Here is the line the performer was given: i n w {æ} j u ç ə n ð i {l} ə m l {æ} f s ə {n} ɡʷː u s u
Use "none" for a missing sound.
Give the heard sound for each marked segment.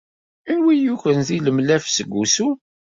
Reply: i, l, æ, none

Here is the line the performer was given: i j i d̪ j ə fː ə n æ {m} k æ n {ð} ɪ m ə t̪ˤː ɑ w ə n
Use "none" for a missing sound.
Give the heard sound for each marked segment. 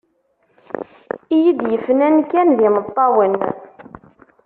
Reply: n, ð

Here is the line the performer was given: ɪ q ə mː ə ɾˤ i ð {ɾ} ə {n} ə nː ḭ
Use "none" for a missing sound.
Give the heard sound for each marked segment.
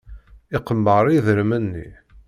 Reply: ɾ, m

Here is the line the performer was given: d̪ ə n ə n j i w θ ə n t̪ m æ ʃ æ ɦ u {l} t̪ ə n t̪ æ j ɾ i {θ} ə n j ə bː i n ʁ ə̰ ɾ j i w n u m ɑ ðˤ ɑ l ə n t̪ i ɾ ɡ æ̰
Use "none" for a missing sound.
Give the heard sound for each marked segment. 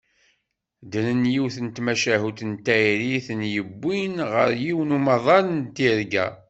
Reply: none, θ

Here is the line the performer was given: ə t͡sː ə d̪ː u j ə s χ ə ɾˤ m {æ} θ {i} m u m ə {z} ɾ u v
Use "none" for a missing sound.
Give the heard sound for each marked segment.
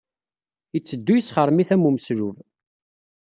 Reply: i, æ, s

